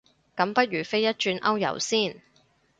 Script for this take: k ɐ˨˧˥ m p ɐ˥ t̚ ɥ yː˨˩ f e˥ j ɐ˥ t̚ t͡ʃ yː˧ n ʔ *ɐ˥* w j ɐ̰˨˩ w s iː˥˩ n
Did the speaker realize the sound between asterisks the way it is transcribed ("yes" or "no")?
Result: yes